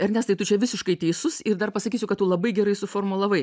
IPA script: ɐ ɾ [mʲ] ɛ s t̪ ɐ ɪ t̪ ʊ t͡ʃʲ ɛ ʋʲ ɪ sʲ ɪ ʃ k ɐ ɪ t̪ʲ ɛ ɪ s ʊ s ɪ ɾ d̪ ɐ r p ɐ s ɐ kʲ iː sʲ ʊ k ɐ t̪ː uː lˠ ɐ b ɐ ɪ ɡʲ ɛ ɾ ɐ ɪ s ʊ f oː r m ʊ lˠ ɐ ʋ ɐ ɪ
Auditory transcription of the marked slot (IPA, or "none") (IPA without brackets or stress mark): nʲ